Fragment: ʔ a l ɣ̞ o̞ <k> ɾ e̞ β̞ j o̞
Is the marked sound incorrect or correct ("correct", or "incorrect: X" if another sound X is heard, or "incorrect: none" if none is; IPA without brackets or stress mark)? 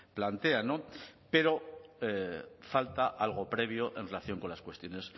incorrect: p